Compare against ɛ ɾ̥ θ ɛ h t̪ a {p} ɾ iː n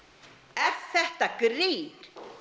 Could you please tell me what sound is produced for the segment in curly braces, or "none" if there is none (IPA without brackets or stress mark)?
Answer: k